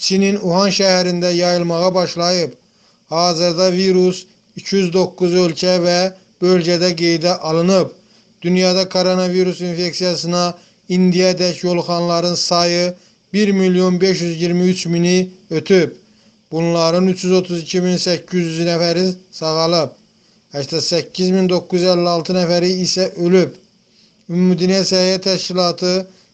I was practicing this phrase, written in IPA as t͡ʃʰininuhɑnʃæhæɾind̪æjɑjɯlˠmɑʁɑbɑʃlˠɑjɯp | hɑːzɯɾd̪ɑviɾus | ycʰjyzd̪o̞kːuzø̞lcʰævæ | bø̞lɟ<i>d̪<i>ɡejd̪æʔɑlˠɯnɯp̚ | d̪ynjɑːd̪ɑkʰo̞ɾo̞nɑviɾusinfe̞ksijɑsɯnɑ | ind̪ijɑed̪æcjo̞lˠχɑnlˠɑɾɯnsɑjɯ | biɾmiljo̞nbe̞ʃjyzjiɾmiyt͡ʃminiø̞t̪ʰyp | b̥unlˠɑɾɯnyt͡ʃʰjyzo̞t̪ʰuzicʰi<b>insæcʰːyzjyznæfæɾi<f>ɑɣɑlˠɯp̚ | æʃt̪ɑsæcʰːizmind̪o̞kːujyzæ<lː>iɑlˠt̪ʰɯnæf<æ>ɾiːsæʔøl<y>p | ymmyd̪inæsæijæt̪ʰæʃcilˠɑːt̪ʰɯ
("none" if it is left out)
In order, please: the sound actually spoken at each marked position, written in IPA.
æ, æ, m, s, lː, æ, y

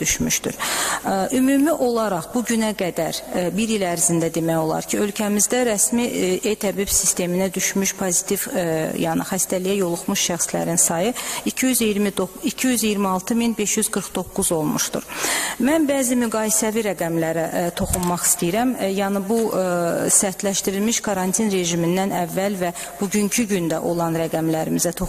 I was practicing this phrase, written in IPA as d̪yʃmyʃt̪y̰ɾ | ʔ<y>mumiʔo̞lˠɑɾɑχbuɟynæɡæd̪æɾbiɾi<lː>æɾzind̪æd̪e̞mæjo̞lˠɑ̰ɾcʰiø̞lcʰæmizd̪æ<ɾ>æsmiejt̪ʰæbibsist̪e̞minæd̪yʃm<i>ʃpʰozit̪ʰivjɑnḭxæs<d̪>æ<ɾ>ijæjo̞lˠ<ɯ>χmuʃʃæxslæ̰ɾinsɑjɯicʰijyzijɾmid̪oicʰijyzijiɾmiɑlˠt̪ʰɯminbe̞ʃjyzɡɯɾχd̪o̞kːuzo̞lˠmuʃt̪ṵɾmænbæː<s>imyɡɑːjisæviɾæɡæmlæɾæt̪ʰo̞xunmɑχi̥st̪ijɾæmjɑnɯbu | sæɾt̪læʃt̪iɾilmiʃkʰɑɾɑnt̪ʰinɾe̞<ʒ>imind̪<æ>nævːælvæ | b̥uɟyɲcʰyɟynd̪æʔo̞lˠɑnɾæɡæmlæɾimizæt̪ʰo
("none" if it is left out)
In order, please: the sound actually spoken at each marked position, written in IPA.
y, l, ɾ, y, t̪, l, u, z, ʒ, æ

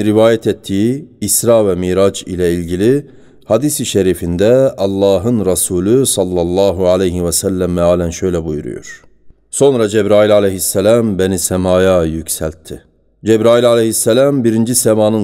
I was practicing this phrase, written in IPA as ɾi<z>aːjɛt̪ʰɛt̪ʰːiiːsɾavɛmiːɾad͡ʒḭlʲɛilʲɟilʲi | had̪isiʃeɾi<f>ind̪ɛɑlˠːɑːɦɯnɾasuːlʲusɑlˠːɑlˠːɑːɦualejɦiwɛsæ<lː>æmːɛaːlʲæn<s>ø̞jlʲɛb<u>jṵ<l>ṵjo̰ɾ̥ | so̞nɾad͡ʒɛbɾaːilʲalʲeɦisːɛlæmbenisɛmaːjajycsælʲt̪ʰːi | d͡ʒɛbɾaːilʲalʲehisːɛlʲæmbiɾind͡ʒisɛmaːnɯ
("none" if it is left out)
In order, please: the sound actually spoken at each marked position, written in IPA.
v, f, lː, ʃ, u, ɾ

